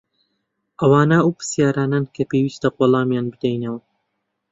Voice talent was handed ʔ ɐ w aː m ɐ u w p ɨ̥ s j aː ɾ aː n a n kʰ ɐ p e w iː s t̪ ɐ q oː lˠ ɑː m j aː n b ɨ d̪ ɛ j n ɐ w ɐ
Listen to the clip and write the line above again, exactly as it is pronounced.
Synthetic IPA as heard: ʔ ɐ w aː n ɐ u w p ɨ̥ s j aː ɾ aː n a n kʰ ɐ p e w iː s t̪ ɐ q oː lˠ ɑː m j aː n b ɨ d̪ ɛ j n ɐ w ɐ